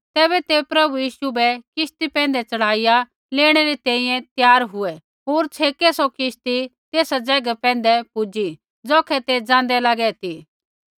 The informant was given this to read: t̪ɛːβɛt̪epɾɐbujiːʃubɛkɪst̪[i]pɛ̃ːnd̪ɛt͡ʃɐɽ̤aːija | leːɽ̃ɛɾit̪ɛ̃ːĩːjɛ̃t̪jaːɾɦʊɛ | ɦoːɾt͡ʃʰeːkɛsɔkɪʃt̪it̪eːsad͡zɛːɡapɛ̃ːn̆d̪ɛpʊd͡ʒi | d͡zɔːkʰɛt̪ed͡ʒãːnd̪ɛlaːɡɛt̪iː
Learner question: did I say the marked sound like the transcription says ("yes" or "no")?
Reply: yes